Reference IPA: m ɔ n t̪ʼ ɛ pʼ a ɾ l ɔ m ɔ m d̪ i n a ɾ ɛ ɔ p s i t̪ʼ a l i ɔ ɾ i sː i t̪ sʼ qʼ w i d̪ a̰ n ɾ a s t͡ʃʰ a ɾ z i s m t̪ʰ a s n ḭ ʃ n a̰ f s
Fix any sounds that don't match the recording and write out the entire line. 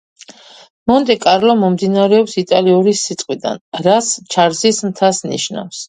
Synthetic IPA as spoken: m ɔ n t̪ʼ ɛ kʼ a ɾ l ɔ m ɔ m d̪ i n a ɾ ɛ ɔ p s i t̪ʼ a l i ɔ ɾ i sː i t̪ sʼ qʼ w i d̪ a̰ n ɾ a s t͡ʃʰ a ɾ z i s m t̪ʰ a s n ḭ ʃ n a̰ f s